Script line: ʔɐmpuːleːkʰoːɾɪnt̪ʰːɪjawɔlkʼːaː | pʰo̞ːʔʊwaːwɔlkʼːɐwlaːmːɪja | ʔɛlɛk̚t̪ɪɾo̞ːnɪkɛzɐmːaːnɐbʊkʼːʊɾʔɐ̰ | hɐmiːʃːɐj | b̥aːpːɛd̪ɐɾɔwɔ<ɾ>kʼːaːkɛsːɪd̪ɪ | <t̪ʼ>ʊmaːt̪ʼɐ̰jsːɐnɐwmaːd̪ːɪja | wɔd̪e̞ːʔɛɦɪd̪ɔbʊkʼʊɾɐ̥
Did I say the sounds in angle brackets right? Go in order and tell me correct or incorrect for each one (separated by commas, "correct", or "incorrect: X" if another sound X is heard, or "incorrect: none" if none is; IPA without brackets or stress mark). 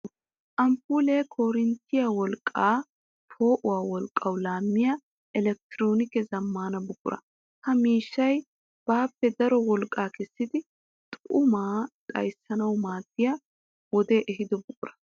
incorrect: l, correct